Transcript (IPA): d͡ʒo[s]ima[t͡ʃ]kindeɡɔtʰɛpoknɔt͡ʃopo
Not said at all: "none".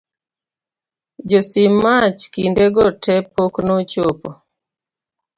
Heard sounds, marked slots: s, t͡ʃ

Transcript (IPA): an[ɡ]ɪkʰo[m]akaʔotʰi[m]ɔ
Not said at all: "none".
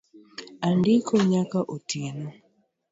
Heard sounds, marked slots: d, ɲ, n

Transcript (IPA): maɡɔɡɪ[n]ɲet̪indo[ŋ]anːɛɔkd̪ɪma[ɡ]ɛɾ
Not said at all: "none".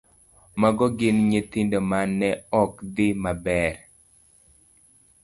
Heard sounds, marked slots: n, m, b

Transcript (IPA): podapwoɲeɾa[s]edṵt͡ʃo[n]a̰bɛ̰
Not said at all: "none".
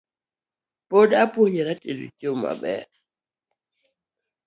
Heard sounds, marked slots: t, m

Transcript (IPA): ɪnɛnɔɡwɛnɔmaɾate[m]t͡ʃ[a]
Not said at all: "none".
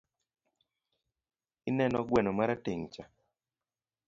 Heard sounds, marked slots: ŋ, a

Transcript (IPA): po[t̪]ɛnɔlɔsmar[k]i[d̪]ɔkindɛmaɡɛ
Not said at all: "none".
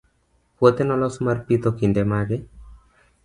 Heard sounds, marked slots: t̪, p, t̪

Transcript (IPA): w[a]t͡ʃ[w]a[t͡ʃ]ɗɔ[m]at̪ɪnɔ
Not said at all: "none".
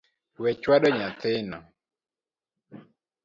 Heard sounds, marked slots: ɛ, w, none, ɲ

